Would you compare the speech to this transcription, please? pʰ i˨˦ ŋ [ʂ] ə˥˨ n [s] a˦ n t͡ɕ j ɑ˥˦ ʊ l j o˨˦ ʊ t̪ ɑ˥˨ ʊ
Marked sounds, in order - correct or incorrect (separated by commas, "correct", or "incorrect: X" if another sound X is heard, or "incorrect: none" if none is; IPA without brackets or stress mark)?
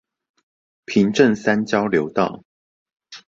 incorrect: ʈ͡ʂ, correct